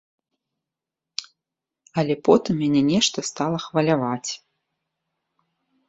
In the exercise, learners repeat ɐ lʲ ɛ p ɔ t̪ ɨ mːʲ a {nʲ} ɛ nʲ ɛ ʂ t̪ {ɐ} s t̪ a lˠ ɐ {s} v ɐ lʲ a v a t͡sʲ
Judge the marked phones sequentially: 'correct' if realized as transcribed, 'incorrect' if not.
correct, correct, incorrect: x

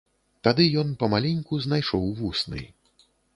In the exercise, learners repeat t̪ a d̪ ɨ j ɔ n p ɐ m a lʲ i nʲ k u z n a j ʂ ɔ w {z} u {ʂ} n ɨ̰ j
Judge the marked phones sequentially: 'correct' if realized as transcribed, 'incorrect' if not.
incorrect: v, incorrect: s

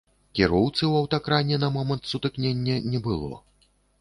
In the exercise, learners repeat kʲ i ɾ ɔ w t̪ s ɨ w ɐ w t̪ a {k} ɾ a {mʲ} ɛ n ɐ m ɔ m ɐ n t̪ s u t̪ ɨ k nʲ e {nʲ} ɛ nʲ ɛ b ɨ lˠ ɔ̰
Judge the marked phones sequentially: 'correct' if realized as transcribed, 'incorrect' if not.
correct, incorrect: nʲ, incorrect: nʲː

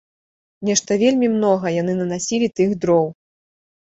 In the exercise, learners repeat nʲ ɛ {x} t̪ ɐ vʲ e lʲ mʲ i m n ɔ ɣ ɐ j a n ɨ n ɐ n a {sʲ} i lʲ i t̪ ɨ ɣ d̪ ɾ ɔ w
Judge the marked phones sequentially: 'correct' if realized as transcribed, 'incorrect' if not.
incorrect: ʂ, correct

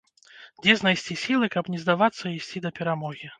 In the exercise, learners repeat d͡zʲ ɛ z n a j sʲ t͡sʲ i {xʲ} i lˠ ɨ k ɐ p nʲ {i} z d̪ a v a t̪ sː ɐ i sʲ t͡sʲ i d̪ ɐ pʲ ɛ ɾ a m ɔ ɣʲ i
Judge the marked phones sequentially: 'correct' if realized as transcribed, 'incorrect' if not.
incorrect: sʲ, incorrect: ɛ

